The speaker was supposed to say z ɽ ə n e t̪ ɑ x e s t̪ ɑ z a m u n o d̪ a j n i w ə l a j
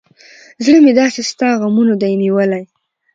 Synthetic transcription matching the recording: z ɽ ə m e d̪ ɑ s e s t̪ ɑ ɣ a m u n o d̪ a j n i w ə l a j